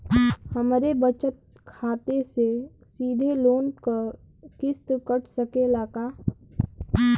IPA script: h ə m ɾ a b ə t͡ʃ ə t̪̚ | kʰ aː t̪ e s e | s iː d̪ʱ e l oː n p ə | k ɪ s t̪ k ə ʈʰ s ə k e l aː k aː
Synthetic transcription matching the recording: h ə m ɾ e b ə t͡ʃ ə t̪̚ | kʰ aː t̪ e s e | s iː d̪ʱ e l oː n k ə | k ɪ s t̪ k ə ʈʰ s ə k e l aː k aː